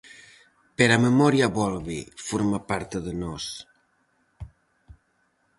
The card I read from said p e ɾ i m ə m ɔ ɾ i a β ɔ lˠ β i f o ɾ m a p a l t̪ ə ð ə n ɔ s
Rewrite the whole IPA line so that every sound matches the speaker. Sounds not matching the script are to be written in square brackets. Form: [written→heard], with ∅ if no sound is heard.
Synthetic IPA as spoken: p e ɾ [i→a] m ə m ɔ ɾ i a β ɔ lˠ β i f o ɾ m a p a [l→ɾ] t̪ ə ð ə n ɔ s